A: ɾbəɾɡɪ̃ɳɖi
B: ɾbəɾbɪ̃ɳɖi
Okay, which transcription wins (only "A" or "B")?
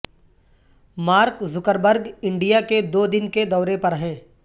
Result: A